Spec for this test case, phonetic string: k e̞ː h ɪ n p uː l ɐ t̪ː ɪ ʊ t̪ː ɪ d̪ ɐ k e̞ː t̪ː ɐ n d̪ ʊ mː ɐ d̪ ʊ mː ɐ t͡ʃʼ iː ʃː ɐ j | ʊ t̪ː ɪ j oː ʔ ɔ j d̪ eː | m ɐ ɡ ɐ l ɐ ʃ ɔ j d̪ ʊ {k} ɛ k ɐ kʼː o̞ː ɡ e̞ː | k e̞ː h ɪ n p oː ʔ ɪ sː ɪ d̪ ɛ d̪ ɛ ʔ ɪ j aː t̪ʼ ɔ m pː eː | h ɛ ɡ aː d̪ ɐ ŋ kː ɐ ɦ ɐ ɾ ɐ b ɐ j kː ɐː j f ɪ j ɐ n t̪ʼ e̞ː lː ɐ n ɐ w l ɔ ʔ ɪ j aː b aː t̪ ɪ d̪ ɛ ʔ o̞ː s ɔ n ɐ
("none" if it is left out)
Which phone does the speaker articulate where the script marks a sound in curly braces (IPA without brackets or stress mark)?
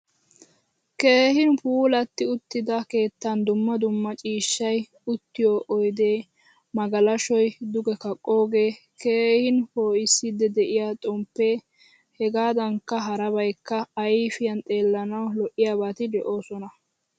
ɡ